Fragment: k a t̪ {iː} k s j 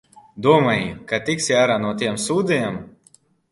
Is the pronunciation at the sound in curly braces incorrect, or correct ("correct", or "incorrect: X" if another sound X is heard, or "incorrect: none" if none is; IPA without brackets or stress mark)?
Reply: incorrect: i